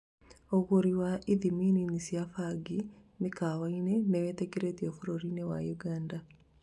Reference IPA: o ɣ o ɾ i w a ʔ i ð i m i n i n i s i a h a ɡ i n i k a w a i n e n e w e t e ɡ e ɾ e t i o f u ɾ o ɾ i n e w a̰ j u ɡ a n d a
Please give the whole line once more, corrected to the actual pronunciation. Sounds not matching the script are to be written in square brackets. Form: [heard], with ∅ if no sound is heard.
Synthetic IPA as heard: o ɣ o ɾ i w a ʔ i ð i m i n i n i s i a [f] a ɡ i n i k a w a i n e n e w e t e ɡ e ɾ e t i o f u ɾ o ɾ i n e w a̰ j u ɡ a n d a